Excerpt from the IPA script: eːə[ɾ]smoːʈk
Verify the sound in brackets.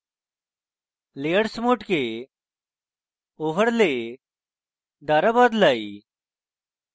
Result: incorrect: ɽ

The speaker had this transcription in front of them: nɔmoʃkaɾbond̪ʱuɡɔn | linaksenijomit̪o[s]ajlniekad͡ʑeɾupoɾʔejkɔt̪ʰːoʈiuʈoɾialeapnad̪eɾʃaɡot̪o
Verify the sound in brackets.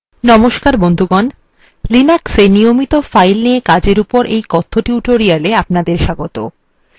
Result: incorrect: f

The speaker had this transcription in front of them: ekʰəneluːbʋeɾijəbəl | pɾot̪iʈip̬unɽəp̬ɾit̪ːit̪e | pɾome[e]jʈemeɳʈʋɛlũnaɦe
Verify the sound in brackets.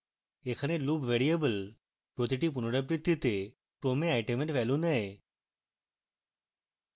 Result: incorrect: a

